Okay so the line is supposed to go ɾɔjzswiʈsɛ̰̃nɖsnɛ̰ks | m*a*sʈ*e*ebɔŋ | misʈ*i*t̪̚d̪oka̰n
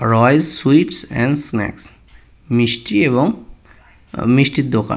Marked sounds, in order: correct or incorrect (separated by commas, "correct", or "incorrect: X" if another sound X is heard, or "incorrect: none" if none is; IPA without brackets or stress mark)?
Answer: incorrect: i, incorrect: i, correct